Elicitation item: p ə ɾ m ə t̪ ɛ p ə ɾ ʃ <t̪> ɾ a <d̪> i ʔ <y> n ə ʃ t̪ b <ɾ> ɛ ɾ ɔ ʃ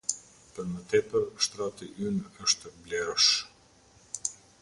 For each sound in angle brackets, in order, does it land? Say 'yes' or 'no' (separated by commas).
yes, no, yes, no